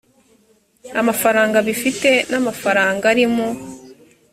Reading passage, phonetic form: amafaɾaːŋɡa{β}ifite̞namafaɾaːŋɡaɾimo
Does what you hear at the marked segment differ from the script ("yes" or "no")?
no